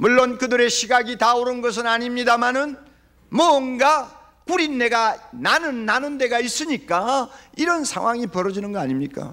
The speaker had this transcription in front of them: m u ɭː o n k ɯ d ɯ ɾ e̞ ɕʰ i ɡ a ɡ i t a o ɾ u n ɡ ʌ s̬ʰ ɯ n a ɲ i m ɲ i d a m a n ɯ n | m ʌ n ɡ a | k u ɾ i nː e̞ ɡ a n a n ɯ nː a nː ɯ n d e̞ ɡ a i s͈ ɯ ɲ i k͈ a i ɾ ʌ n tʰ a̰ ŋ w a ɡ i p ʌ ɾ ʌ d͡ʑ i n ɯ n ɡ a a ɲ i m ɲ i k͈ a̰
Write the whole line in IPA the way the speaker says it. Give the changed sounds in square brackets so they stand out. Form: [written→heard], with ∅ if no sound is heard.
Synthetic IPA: m u ɭː o n k ɯ d ɯ ɾ e̞ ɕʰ i ɡ a ɡ i t a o ɾ [u→ɯ] n ɡ ʌ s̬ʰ ɯ n a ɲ i m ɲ i d a m a n ɯ n | m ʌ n ɡ a | k u ɾ i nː e̞ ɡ a n a n ɯ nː a [nː→n] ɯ n d e̞ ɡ a i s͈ ɯ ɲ i k͈ a i ɾ ʌ n [tʰ→sʰ] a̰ ŋ w a [ɡ→ŋ] i p ʌ ɾ ʌ d͡ʑ i n ɯ n ɡ [a→ʌ] a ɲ i m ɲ i k͈ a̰

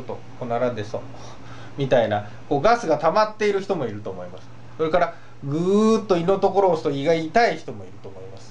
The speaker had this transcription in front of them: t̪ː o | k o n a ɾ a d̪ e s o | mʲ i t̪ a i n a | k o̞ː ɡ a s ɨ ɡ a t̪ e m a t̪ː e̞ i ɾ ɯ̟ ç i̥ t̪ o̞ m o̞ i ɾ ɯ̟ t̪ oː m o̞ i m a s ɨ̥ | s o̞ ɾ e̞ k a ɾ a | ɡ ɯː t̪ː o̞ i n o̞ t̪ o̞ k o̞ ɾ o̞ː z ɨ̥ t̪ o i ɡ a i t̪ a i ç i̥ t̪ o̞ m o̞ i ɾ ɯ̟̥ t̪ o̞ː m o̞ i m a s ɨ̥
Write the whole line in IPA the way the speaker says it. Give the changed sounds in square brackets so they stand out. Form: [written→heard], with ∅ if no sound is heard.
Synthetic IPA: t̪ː o | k o n a ɾ a d̪ e s o | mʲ i t̪ a i n a | k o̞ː ɡ a s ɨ ɡ a t̪ [e→a] m a t̪ː e̞ i ɾ ɯ̟ ç i̥ t̪ o̞ m o̞ i ɾ ɯ̟ t̪ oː m o̞ i m a s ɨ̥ | s o̞ ɾ e̞ k a ɾ a | ɡ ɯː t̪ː o̞ i n o̞ t̪ o̞ k o̞ ɾ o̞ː [z→s] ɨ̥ t̪ o i ɡ a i t̪ a i ç i̥ t̪ o̞ m o̞ i ɾ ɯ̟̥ t̪ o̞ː m o̞ i m a s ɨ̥

